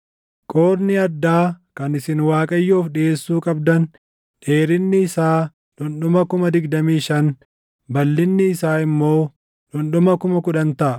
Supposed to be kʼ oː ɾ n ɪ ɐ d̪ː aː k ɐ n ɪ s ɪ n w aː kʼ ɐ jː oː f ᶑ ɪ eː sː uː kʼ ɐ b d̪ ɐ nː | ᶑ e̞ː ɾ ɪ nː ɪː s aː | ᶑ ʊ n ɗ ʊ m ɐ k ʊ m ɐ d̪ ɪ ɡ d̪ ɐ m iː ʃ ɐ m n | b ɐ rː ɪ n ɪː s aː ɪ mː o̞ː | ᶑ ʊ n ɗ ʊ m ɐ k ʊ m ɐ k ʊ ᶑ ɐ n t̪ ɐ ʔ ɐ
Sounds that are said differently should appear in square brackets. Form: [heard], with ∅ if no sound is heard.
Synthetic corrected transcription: kʼ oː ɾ n ɪ ɐ d̪ː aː k ɐ n ɪ s ɪ n w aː kʼ ɐ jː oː f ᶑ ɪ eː sː uː kʼ ɐ b d̪ ɐ [n] | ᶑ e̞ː ɾ ɪ nː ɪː s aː | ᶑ ʊ n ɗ ʊ m ɐ k ʊ m ɐ d̪ ɪ ɡ d̪ ɐ m iː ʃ ɐ [∅] n | b ɐ [lː] ɪ [nː] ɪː s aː ɪ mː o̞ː | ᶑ ʊ n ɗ ʊ m ɐ k ʊ m ɐ k ʊ ᶑ ɐ n t̪ ɐ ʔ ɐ